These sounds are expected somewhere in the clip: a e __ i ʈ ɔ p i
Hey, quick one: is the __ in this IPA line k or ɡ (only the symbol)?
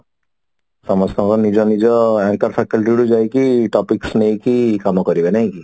k